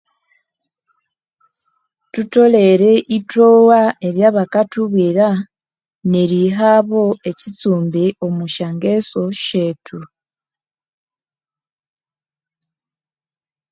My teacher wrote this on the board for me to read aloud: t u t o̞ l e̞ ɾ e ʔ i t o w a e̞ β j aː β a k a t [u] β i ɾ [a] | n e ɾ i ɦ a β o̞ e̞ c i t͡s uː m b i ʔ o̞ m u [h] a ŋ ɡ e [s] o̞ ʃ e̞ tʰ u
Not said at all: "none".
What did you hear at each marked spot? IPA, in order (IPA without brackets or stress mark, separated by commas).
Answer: u, a, ʃ, s